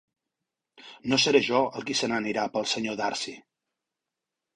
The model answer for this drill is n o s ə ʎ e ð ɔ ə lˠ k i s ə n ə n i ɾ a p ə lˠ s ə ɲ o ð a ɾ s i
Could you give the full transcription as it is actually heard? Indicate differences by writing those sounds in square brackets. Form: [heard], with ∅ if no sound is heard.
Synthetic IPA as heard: n o s ə [ɾ] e [ʒ] ɔ ə lˠ k i s ə n ə n i ɾ a p ə lˠ s ə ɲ o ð a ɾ s i

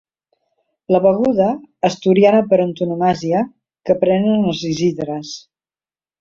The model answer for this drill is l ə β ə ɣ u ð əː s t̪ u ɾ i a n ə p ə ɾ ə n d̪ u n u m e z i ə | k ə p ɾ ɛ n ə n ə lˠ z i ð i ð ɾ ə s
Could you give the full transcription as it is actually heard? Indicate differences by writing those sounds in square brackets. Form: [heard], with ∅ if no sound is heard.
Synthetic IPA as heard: l ə β ə ɣ u ð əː s t̪ u ɾ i a n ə p ə ɾ ə n [t̪] u n u m [a] z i ə | k ə p ɾ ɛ n ə n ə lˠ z i [z] i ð ɾ ə s

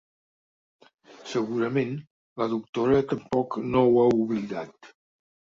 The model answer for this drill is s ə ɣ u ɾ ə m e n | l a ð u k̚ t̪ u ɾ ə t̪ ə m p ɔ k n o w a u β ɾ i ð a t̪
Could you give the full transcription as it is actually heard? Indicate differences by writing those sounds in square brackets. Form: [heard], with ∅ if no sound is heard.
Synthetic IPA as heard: s ə ɣ u ɾ ə m e n | l [ə] ð u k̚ t̪ [o] ɾ ə t̪ ə m p ɔ k n o w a u β [l] i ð a t̪

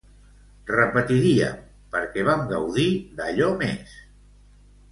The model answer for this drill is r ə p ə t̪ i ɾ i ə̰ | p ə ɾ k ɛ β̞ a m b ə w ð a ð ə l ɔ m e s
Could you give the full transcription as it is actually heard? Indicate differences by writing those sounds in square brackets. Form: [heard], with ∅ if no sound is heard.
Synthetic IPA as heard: r ə p ə t̪ i ɾ i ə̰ | p ə ɾ k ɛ β̞ a m [ɡ] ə w ð [i] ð ə [ʎ] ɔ m e s

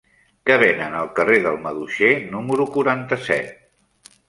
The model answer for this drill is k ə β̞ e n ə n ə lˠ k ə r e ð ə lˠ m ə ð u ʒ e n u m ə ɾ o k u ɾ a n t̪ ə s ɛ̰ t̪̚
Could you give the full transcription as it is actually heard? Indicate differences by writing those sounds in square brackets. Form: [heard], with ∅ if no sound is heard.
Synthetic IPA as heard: k ə β̞ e n ə n ə lˠ k ə r e ð ə lˠ m ə ð u [ʃ] e n u m ə ɾ [u] k u ɾ a n t̪ ə s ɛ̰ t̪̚

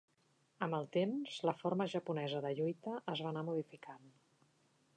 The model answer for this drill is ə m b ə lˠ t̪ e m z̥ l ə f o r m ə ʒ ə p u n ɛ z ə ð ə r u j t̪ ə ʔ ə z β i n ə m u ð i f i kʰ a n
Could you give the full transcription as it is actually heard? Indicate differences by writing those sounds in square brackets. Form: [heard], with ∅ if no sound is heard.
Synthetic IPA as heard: ə m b ə lˠ t̪ e m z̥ l ə f o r m ə ʒ ə p u n ɛ z ə ð ə [ʎ] u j t̪ ə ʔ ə z β [a] n [a] m u ð i f i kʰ a n

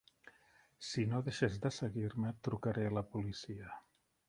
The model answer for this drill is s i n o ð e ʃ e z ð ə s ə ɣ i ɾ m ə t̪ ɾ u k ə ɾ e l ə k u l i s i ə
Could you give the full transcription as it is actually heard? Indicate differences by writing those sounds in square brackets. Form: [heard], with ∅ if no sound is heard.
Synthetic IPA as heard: s i n o ð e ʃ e z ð ə s ə ɣ i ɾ m ə t̪ ɾ u k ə ɾ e l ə [p] u l i s i ə

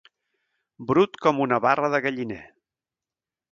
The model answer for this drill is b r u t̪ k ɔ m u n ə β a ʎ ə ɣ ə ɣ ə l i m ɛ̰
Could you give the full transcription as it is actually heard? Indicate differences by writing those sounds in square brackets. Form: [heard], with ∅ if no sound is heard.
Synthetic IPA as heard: b [ɾ] u t̪ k ɔ m u n ə β a [r] ə [ð] ə ɣ ə [ʎ] i [n] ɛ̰

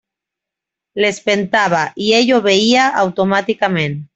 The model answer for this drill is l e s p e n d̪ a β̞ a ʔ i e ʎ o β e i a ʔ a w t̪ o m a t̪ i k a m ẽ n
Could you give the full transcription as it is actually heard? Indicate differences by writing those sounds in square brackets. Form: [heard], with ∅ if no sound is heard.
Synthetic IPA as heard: l e s p e n [t̪] a β̞ a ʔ i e ʎ o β e i a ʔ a w t̪ o m a t̪ i k a m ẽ n

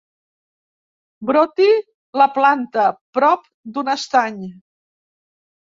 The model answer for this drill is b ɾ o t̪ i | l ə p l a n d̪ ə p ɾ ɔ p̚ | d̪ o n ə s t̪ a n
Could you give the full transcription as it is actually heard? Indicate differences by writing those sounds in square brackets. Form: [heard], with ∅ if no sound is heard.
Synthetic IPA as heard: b ɾ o t̪ i | l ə p l a n [t̪] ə p ɾ ɔ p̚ | d̪ [u] n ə s t̪ a [ɲ]

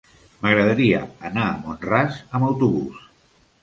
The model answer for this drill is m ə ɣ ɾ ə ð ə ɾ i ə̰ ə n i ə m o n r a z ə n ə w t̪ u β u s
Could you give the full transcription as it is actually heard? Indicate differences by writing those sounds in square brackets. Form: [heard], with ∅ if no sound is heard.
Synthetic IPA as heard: m ə ɣ ɾ ə ð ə ɾ i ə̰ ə n [a] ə m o n r a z ə [m] ə w t̪ u β u s

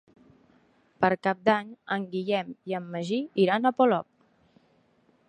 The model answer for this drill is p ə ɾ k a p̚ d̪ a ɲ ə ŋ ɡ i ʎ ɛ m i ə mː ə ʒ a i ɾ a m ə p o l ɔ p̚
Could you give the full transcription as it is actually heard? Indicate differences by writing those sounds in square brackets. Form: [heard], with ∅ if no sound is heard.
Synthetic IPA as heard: p ə ɾ k a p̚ d̪ a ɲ ə ŋ ɡ i ʎ ɛ m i ə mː ə ʒ [i] i ɾ a [n] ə p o l ɔ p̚

